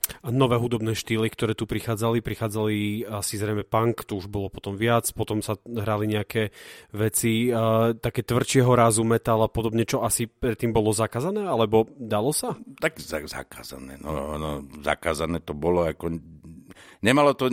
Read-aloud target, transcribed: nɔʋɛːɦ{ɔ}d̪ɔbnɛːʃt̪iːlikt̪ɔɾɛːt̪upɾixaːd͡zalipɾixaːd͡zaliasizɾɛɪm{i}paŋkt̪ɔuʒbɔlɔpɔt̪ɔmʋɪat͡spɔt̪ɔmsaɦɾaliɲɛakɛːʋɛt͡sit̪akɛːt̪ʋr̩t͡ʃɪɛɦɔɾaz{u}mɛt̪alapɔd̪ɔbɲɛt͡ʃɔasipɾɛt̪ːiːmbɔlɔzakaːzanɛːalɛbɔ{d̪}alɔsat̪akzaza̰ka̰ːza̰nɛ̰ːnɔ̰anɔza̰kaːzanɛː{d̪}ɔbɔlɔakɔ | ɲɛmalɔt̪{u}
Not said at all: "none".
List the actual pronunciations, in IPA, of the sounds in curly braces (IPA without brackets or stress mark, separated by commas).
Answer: u, ɛ, u, d̪, t̪, ɔ